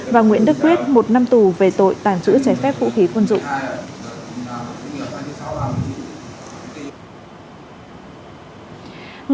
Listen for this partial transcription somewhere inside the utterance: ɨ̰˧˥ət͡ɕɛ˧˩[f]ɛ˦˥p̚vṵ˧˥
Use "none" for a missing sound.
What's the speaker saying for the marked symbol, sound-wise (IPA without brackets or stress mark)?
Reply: f